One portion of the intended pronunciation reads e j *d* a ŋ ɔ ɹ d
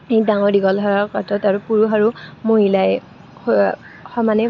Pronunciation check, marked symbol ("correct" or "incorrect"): correct